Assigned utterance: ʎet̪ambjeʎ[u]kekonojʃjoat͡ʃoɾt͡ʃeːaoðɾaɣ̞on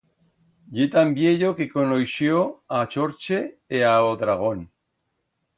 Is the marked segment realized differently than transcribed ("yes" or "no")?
yes